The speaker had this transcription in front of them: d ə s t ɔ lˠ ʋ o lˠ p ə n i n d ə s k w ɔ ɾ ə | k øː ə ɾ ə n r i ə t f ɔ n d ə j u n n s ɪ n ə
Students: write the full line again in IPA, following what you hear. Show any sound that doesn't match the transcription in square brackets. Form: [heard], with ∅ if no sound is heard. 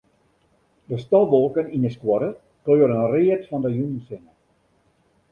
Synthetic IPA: d ə s t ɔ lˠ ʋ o lˠ [k] ə n i n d ə s k w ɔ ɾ ə | k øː ə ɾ ə n r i ə t f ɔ n d ə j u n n s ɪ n ə